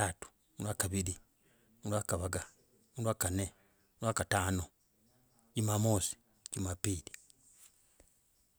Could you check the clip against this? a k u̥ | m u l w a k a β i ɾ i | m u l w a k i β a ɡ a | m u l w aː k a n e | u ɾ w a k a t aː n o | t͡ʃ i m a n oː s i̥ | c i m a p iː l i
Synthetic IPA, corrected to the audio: a t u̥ | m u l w a k a β i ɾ i | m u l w a k a β a ɡ a | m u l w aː k a n e | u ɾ w a k a t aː n o | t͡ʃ i m a m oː s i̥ | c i m a p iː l i